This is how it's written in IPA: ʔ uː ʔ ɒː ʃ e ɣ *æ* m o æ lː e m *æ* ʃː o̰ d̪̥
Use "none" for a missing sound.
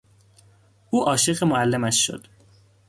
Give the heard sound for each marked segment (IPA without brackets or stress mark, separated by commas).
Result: e, æ